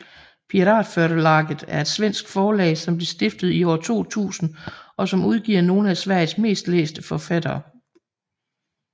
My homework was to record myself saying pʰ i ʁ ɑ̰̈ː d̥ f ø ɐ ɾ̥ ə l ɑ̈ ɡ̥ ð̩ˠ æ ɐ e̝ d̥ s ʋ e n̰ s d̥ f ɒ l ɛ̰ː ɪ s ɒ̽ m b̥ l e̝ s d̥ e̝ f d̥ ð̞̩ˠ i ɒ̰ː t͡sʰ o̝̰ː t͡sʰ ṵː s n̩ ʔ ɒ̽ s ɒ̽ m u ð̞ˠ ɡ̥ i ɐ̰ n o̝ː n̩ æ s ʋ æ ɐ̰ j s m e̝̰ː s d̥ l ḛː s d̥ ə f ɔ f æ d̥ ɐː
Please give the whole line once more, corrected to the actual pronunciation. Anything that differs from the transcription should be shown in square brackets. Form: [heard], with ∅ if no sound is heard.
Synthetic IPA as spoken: pʰ i ʁ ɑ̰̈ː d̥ f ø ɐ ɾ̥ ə l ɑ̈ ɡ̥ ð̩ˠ æ ɐ e̝ d̥ s ʋ e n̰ s [ɡ̥] f [ɒː] l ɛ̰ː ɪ s ɒ̽ m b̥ l e̝ s d̥ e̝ f d̥ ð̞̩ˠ i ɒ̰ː t͡sʰ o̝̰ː t͡sʰ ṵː s n̩ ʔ ɒ̽ s ɒ̽ m u ð̞ˠ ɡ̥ i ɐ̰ n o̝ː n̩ æ s ʋ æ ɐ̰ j s m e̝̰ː s d̥ l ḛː s d̥ ə f [ɒ] f æ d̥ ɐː